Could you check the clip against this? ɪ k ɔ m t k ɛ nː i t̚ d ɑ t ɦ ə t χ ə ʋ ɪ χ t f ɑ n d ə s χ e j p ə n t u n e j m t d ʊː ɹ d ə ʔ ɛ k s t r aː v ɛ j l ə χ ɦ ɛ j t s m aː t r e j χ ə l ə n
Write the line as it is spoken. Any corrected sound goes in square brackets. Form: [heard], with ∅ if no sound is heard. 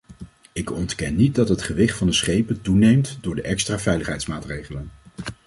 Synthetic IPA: ɪ k ɔ [n] t k ɛ nː i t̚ d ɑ t ɦ ə t χ ə ʋ ɪ χ t f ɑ n d ə s χ e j p ə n t u n e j m t d ʊː ɹ d ə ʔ ɛ k s t r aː v ɛ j l ə χ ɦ ɛ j t s m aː t r e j χ ə l ə n